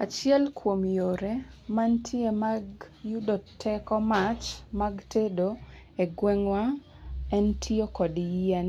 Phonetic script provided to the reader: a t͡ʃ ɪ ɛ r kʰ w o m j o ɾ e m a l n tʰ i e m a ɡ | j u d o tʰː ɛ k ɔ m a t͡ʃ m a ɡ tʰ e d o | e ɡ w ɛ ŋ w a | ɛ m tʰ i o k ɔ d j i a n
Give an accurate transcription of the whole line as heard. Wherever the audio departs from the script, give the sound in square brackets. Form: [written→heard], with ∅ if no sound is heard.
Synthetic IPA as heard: a t͡ʃ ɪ ɛ [r→l] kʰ w o m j o ɾ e m a [l→∅] n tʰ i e m a ɡ | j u d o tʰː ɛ k ɔ m a t͡ʃ m a ɡ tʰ e d o | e ɡ w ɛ ŋ w a | ɛ [m→n] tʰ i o k ɔ d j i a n